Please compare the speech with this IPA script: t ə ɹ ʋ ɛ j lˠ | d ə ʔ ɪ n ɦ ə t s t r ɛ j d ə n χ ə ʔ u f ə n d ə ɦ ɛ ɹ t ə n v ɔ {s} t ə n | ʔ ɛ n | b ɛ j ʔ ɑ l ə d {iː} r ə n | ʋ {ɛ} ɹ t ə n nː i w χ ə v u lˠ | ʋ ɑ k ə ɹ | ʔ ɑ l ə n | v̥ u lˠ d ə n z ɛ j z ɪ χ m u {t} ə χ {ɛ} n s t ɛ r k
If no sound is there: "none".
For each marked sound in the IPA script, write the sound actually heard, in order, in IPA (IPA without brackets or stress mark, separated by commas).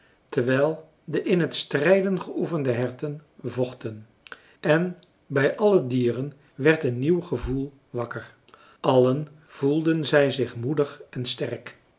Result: χ, iː, ɛ, d, ɛ